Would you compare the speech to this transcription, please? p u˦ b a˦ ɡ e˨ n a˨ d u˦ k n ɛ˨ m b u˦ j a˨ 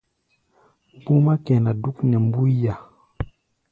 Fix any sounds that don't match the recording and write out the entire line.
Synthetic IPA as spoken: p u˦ m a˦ k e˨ n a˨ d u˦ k n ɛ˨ m b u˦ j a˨